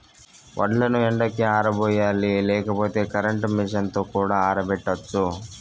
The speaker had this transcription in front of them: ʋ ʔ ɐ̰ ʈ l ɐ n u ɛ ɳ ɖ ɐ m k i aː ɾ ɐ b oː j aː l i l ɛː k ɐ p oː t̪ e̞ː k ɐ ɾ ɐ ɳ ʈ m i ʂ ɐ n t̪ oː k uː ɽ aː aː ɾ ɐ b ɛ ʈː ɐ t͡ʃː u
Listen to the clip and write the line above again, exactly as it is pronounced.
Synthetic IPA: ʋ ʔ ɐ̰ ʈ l ɐ n u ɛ ɳ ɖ ɐ k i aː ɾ ɐ b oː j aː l i l ɛː k ɐ p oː t̪ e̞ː k ɐ ɾ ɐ ɳ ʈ m i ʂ ɐ n t̪ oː k uː ɽ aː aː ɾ ɐ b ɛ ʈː ɐ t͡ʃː u